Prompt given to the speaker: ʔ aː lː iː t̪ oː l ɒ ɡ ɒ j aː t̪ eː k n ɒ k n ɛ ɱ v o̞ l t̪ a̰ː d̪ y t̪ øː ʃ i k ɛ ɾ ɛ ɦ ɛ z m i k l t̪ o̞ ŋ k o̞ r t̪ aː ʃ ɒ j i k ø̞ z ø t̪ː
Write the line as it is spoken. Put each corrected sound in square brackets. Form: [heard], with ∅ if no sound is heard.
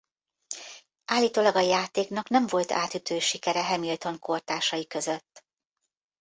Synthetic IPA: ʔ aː lː iː t̪ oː l ɒ ɡ ɒ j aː t̪ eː k n ɒ k n ɛ ɱ v o̞ l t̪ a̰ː [t̪] y t̪ øː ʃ i k ɛ ɾ ɛ ɦ ɛ [∅] m i [∅] l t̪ o̞ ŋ k o̞ r t̪ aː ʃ ɒ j i k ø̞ z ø t̪ː